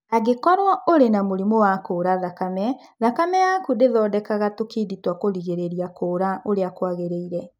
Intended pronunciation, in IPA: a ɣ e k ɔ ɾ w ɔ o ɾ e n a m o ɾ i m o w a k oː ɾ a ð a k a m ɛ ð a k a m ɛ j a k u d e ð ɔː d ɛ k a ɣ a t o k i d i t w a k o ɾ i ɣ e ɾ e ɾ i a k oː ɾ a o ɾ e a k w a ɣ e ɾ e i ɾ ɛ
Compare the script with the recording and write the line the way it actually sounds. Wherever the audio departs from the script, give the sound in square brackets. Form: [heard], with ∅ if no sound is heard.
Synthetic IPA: a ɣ e k ɔ ɾ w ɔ o ɾ e n a m o ɾ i m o w a k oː ɾ a ð a k a m ɛ ð a k a m ɛ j a k u d e ð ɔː d ɛ k a ɣ a t o k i d i t w a k o ɾ i ɣ e ɾ e ɾ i a k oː ɾ a o ɾ e a k w a ɣ e ɾ e i ɾ ɛ